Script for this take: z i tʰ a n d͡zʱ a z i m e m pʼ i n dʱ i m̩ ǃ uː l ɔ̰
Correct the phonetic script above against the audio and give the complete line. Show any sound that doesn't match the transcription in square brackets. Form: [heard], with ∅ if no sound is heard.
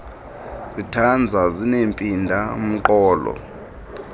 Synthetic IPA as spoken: z i tʰ a n d͡zʱ a z i [n] e m pʼ i n dʱ [a] m̩ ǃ [ɔː] l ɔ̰

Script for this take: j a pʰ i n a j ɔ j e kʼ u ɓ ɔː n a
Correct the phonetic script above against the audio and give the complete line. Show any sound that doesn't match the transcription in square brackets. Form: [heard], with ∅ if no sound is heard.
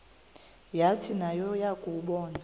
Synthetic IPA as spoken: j a [tʰ] i n a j ɔ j [a] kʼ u ɓ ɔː n a

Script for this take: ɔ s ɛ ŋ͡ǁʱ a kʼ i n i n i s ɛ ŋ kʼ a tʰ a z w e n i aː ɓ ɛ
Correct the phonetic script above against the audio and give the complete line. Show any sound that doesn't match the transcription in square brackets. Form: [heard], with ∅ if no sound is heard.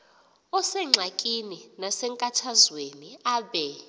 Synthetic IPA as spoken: ɔ s ɛ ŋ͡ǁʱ a kʼ i n i n [a] s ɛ ŋ kʼ a tʰ a z w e n i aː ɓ ɛ

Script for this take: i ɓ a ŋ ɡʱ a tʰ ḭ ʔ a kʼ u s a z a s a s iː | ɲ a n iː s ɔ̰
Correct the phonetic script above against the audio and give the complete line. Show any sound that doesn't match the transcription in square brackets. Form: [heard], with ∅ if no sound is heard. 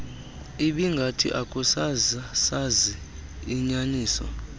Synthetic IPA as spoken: i ɓ [i] ŋ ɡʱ a tʰ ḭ ʔ a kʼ u s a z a s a [z] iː | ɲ a n iː s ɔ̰

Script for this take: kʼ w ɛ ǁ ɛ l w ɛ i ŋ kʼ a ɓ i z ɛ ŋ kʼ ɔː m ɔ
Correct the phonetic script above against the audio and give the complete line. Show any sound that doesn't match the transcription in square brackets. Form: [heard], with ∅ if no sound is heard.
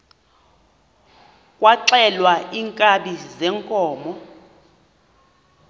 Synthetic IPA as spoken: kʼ w [a] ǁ ɛ l w [a] i ŋ kʼ a ɓ i z ɛ ŋ kʼ ɔː m ɔ

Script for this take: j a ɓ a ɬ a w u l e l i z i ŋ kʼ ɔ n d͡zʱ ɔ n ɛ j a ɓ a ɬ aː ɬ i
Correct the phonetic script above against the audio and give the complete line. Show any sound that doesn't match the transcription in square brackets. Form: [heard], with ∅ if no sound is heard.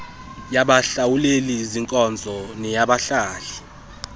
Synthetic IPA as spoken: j a ɓ a ɬ a w u l e l i z i ŋ kʼ ɔ n d͡zʱ ɔ n ɛ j a ɓ a ɬ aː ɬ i

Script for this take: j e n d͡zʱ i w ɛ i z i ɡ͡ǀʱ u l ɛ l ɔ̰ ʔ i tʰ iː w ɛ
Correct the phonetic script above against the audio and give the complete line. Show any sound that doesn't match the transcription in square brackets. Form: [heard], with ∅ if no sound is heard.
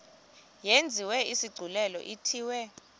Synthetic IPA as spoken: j e n d͡zʱ i w ɛ i [s] i ɡ͡ǀʱ u l ɛ l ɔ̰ ʔ i tʰ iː w ɛ

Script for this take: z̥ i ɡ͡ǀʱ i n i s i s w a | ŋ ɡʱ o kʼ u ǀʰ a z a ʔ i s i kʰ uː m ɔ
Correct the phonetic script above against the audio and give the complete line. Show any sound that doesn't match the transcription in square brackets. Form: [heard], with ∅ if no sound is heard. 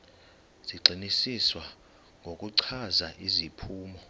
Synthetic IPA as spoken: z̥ i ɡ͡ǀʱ i n i s i s w a | ŋ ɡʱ o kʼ u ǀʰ a z a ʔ i [z] i [pʰ] uː m ɔ

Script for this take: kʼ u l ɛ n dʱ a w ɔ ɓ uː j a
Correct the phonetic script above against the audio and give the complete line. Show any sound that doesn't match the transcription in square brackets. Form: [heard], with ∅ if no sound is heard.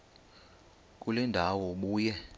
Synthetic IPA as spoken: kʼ u l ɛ n dʱ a w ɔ ɓ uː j [ɛ]

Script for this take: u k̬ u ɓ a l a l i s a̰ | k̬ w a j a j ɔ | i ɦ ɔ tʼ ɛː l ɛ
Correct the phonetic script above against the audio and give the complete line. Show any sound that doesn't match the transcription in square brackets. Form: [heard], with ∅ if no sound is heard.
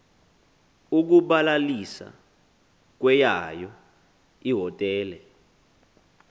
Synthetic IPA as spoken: u k̬ u ɓ a l a l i s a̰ | k̬ w [ɛ] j a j ɔ | i ɦ ɔ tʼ ɛː l ɛ

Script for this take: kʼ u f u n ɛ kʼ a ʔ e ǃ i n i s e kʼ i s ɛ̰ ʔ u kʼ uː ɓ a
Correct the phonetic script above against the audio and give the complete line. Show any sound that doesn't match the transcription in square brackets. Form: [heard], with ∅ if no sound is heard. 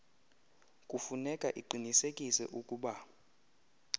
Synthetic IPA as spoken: kʼ u f u n ɛ kʼ a ʔ [i] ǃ i n i s e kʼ i s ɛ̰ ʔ u kʼ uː ɓ a

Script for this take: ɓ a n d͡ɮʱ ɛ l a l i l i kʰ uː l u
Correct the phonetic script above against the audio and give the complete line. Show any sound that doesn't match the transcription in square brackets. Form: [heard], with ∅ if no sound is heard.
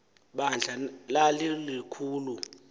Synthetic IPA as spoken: ɓ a n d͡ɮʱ [a] l a l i l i kʰ uː l u

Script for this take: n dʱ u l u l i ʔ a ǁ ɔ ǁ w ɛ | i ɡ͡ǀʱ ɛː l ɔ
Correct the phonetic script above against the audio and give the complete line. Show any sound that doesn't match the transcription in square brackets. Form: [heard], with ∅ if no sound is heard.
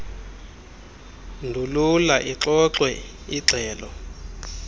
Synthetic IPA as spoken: n dʱ u l u l [a] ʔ [i] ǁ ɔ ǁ w ɛ | i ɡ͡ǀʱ ɛː l ɔ

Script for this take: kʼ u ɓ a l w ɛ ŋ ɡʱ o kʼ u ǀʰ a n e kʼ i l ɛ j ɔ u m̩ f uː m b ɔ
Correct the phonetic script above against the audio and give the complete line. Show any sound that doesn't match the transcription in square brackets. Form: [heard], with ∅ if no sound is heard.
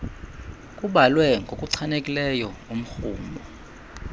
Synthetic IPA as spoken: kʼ u ɓ a l w ɛ ŋ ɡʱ o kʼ u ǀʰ a n e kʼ i l ɛ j ɔ u m̩ [x] uː m b ɔ

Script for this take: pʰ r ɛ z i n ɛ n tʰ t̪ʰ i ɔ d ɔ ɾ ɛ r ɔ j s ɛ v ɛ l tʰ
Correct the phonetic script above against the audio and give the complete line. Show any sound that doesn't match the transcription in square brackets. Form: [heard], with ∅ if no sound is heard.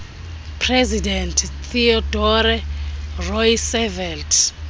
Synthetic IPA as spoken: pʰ r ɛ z i [d] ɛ n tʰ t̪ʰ i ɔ d ɔ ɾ ɛ r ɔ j s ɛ v ɛ l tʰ

